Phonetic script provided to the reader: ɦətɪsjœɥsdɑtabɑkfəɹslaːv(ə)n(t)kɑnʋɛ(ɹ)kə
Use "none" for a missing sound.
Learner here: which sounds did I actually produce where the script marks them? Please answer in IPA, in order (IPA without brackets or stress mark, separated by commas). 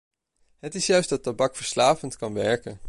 ə, t, ɹ